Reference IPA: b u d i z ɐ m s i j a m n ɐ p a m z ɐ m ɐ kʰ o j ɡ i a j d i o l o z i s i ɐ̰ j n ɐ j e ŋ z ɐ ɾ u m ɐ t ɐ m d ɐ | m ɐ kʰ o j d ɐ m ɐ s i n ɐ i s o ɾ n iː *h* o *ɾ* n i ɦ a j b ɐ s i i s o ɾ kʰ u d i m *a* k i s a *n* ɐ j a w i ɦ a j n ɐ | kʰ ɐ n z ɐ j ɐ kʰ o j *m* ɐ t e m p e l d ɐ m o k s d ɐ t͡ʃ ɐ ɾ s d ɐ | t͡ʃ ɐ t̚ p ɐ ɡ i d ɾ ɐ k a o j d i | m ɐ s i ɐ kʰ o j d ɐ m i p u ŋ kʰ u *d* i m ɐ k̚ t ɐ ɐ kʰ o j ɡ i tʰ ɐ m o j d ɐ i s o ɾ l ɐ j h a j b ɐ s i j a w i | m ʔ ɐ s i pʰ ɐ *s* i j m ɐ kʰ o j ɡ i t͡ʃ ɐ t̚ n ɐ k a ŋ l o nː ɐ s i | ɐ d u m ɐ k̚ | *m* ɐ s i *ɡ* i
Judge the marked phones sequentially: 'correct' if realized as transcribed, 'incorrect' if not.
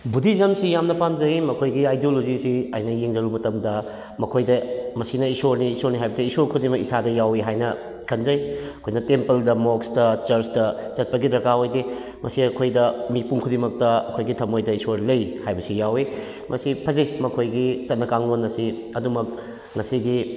incorrect: s, correct, incorrect: ɐ, incorrect: d, incorrect: n, correct, incorrect: z, incorrect: ŋ, correct

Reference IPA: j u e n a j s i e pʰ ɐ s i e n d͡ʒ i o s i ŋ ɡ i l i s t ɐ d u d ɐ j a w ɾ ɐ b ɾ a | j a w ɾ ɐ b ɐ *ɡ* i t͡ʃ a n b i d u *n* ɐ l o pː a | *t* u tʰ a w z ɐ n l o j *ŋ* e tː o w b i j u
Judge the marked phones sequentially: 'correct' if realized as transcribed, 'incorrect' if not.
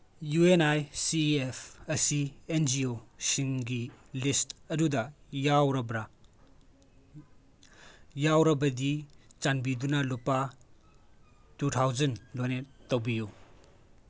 incorrect: d, correct, correct, incorrect: n

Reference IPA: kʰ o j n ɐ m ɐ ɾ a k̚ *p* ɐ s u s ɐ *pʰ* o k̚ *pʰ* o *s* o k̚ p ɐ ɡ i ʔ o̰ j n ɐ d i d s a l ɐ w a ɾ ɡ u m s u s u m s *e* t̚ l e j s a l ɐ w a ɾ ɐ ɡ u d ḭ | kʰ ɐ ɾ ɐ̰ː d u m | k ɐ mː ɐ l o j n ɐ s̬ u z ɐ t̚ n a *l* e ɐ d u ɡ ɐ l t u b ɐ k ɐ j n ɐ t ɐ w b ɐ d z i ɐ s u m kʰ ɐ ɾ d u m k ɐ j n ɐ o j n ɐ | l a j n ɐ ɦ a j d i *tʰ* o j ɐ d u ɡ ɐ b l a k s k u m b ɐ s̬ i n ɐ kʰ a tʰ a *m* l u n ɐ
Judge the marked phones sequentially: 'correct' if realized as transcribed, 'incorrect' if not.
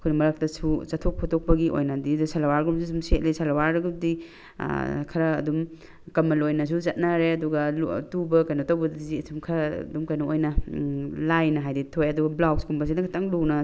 incorrect: t, incorrect: tʰ, correct, incorrect: t, correct, incorrect: ɾ, correct, incorrect: ŋ

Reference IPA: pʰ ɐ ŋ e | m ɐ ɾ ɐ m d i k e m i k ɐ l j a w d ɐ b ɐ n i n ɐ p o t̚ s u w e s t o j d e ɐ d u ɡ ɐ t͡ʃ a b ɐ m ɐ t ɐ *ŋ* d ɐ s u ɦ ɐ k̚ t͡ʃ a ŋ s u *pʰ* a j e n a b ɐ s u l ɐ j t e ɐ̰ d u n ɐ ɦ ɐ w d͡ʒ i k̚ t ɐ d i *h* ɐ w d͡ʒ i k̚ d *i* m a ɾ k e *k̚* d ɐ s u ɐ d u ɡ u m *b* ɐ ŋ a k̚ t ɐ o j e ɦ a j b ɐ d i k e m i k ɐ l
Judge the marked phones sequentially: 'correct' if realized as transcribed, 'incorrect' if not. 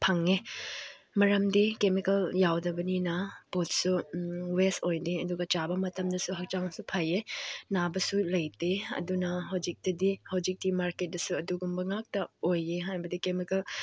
incorrect: m, correct, correct, correct, incorrect: t̚, correct

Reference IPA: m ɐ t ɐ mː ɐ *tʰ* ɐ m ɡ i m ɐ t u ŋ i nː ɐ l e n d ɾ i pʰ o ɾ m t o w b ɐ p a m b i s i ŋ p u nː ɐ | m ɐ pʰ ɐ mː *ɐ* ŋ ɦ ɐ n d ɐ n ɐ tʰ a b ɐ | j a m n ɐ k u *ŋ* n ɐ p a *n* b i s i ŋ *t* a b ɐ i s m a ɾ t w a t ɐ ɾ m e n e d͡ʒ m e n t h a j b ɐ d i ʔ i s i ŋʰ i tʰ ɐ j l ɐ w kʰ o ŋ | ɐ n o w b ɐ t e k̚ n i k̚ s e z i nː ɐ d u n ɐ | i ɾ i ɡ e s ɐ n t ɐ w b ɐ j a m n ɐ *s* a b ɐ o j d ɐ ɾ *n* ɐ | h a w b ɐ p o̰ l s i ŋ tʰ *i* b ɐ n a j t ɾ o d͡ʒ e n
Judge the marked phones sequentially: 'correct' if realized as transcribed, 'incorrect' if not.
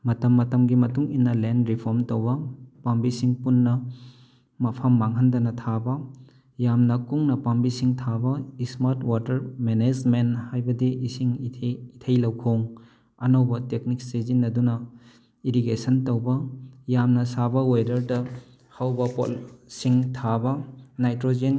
incorrect: t, incorrect: a, correct, incorrect: m, incorrect: tʰ, correct, incorrect: d, incorrect: a

